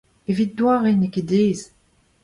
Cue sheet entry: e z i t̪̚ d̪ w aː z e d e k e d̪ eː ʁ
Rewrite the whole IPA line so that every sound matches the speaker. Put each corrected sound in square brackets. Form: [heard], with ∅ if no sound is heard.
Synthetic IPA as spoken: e [v] i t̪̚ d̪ w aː [ʁ] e [n] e k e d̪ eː [z]